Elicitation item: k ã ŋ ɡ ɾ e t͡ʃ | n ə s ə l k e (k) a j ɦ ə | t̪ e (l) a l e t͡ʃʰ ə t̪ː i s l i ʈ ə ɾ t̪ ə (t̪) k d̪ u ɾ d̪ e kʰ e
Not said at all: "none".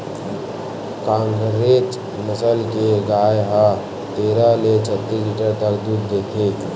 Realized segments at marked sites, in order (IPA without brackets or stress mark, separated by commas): ɡ, ɾ, none